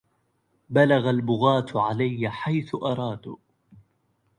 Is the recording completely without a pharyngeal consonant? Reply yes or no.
no